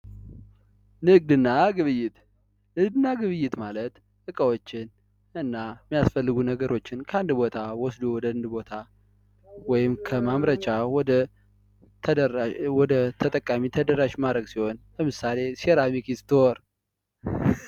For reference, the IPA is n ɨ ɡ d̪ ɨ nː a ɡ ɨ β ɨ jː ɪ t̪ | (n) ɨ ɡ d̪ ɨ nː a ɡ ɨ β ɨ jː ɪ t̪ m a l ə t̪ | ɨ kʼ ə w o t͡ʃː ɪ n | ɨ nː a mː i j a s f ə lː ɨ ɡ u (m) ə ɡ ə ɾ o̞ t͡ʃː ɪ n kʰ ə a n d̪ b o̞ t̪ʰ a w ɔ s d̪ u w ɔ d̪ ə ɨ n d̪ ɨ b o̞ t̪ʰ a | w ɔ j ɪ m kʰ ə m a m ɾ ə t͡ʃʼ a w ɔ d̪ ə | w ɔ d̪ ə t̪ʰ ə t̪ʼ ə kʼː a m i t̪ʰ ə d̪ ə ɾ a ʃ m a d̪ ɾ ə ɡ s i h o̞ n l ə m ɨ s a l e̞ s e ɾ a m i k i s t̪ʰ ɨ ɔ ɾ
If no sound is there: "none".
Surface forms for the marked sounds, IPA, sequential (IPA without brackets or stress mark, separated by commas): n, n